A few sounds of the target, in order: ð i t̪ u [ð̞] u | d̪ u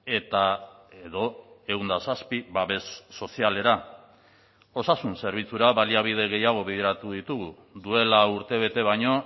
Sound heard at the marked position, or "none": ɣ̞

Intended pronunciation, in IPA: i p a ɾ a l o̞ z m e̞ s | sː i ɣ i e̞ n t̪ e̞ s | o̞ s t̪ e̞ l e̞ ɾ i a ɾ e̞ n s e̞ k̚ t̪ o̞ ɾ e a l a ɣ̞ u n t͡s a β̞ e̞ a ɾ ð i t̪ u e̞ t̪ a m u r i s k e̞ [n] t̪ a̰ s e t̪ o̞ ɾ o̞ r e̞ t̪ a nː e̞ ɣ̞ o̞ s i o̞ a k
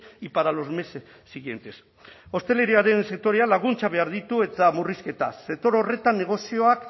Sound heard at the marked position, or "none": none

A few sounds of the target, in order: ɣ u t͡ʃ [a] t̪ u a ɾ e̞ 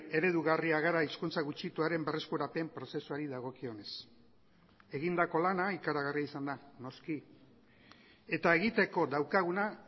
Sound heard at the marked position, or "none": i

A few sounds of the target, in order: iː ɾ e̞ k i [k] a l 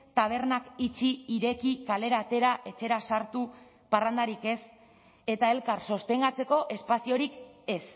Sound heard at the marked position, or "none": k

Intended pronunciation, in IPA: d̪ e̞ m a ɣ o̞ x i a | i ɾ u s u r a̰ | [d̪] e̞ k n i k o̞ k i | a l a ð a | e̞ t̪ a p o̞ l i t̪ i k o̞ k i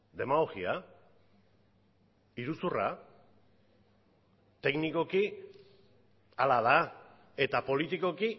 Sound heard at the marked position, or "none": t̪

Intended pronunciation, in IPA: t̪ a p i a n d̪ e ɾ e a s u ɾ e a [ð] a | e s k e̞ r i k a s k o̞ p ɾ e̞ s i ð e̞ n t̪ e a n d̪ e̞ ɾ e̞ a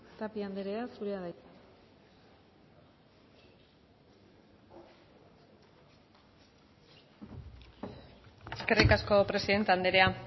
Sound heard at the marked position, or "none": ð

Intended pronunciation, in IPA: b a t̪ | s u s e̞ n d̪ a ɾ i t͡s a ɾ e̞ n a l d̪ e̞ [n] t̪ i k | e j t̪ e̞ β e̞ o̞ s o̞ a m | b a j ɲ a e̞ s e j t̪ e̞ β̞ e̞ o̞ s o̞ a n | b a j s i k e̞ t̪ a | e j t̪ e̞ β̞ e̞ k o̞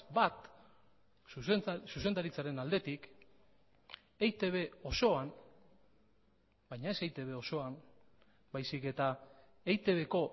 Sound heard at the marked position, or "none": none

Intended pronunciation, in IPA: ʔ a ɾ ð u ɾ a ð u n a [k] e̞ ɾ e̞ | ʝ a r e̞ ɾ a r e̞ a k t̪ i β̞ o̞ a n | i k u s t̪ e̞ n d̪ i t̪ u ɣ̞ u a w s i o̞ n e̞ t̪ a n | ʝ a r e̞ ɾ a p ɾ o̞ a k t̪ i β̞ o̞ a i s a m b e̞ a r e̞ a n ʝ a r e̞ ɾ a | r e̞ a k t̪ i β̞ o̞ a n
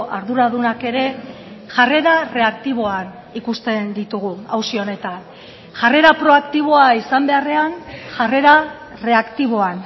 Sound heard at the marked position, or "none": k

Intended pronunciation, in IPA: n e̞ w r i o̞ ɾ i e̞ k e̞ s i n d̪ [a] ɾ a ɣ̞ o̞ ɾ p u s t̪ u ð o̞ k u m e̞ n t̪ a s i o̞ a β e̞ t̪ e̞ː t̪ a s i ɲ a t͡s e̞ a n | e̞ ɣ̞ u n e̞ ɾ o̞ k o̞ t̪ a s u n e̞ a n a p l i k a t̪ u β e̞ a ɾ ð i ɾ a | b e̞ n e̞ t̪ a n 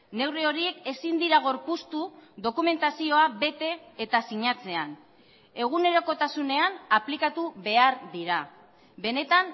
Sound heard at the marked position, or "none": i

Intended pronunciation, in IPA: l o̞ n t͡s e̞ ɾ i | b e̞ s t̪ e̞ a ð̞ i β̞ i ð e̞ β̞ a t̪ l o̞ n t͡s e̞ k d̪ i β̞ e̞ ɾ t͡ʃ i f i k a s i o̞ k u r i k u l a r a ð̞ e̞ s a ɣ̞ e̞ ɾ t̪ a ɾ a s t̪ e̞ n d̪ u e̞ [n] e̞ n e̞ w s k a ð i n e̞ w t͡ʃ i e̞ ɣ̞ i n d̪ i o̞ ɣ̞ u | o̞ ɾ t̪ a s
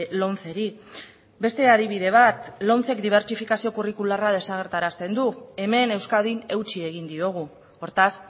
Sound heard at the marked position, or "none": m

